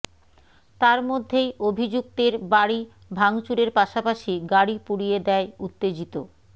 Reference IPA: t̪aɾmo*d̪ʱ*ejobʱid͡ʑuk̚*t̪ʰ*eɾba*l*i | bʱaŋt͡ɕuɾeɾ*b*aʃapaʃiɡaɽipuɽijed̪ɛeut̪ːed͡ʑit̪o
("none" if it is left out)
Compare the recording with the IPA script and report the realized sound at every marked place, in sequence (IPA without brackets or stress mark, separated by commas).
d̪ʱː, t̪, ɽ, p